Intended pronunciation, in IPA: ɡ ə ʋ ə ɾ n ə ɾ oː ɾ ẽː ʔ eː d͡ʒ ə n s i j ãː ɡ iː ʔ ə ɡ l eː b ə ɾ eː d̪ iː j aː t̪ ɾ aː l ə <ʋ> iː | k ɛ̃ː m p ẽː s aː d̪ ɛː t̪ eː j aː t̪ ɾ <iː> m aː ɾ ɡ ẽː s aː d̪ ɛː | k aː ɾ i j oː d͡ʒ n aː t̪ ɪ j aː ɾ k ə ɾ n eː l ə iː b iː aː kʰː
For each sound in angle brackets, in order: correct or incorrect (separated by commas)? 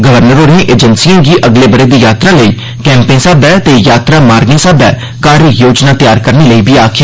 incorrect, incorrect